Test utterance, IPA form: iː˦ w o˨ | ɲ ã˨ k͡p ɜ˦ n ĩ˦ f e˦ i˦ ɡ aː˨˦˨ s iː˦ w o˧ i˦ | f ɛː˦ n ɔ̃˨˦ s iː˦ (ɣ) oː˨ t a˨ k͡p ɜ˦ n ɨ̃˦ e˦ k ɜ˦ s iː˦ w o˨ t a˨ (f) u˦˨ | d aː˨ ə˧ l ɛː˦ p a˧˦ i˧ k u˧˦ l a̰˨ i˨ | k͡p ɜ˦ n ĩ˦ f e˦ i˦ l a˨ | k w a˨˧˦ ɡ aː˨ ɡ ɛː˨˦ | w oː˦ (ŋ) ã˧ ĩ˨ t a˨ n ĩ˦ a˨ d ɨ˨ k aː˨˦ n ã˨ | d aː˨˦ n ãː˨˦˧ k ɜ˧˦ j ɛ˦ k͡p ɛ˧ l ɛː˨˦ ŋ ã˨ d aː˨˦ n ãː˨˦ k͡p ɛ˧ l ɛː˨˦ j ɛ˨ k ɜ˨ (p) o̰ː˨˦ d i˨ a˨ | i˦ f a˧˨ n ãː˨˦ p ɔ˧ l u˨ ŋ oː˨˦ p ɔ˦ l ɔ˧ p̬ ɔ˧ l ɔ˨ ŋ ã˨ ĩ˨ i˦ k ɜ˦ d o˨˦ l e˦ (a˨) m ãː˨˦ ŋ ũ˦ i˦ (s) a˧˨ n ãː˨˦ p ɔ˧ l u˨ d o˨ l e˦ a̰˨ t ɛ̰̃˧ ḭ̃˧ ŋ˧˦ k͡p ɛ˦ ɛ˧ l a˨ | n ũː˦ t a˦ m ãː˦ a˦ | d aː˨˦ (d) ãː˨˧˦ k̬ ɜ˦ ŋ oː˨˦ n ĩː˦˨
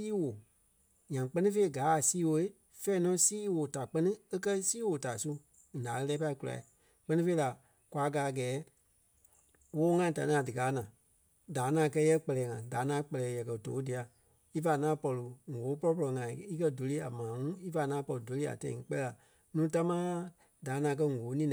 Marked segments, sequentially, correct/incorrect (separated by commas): incorrect, incorrect, correct, incorrect, correct, incorrect, incorrect